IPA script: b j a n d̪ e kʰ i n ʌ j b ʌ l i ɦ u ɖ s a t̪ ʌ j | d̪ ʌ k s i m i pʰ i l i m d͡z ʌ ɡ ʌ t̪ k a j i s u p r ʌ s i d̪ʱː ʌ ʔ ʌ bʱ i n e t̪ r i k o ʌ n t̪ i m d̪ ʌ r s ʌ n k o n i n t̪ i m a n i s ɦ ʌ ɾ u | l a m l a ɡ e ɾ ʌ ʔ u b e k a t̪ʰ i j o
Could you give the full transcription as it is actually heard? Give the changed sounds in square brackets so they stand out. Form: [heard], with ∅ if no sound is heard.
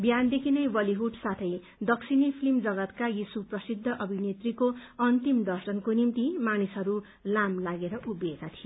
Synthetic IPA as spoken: b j a n d̪ e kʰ i n ʌ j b ʌ l i ɦ u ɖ s a [t̪ʰ] ʌ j | d̪ ʌ k s i [n] i pʰ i l i m d͡z ʌ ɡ ʌ t̪ k a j i s u p r ʌ s i d̪ʱː ʌ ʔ ʌ bʱ i n e t̪ r i k o ʌ n t̪ i m d̪ ʌ r s ʌ n k o n i [m] t̪ i m a n i s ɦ ʌ ɾ u | l a m l a ɡ e ɾ ʌ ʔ u b e k a t̪ʰ i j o